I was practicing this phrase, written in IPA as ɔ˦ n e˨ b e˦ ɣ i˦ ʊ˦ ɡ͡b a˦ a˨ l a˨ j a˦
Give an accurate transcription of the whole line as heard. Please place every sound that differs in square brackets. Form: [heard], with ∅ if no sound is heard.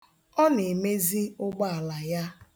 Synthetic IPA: ɔ˦ n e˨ [m] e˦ [z] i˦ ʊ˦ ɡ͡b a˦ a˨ l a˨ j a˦